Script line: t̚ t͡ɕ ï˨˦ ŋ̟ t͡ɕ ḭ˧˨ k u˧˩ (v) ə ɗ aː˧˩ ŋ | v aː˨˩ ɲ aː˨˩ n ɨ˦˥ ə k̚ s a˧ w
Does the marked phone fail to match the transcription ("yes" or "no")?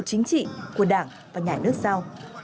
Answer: yes